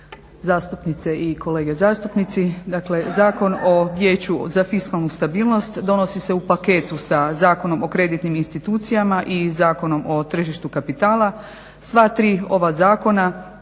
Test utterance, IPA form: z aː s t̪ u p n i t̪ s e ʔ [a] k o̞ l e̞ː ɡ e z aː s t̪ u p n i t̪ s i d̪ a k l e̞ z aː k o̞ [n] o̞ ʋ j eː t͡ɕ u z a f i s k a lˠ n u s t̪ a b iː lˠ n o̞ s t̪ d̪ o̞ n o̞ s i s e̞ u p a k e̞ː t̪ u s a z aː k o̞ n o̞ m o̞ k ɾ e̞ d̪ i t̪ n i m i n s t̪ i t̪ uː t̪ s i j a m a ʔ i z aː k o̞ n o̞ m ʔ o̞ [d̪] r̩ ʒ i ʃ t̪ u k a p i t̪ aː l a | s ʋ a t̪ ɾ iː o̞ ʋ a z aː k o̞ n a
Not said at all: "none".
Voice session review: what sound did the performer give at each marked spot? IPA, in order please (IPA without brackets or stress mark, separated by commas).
i, n, t̪